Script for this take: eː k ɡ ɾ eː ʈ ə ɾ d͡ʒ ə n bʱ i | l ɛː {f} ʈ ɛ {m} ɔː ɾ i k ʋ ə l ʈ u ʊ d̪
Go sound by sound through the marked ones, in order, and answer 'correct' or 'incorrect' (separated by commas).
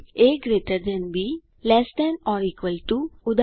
incorrect, incorrect